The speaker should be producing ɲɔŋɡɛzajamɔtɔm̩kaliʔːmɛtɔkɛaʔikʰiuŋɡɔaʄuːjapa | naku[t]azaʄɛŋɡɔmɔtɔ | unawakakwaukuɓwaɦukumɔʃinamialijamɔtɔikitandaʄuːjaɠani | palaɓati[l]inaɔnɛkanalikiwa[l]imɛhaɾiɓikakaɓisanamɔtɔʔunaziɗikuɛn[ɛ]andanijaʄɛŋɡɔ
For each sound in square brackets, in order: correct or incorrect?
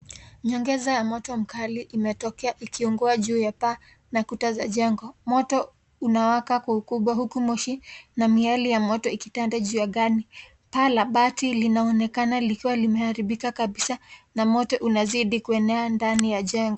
correct, correct, correct, correct

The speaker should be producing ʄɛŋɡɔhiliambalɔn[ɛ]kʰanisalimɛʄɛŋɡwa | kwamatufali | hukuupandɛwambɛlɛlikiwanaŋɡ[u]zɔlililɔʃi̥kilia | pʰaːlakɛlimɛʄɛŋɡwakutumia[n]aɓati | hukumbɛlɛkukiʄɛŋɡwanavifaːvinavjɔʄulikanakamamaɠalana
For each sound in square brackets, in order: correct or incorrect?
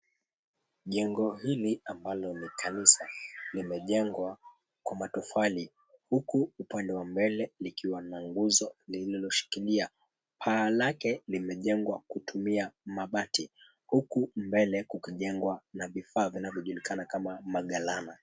incorrect, correct, incorrect

